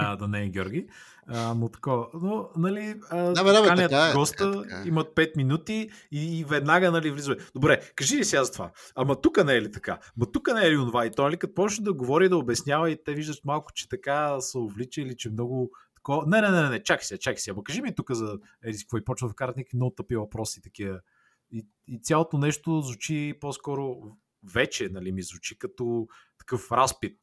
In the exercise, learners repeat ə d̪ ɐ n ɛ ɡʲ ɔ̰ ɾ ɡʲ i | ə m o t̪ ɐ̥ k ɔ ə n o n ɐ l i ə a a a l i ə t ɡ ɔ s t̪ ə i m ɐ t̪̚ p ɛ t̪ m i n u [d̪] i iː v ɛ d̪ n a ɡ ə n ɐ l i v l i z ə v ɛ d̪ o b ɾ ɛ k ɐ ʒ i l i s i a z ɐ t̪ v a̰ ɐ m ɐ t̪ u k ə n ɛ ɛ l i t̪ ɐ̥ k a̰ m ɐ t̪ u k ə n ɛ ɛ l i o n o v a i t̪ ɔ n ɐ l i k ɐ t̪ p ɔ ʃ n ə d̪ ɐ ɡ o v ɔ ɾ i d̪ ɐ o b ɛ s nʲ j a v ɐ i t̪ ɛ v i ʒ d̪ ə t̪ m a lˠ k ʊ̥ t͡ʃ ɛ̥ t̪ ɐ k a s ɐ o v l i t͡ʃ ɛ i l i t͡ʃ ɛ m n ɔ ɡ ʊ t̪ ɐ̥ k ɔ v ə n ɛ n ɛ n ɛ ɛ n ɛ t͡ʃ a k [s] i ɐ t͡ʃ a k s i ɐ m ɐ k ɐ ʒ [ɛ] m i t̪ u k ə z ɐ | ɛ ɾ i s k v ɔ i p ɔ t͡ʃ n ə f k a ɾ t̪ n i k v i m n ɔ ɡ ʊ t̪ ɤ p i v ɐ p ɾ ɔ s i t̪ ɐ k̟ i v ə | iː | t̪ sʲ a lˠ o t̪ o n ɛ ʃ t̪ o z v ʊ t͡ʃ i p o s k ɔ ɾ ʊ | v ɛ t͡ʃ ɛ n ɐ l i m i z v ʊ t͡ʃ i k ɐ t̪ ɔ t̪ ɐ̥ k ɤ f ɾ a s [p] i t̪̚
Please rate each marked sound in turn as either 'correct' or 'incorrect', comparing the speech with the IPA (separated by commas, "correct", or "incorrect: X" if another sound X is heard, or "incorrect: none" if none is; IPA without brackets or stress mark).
incorrect: t̪, correct, incorrect: i, correct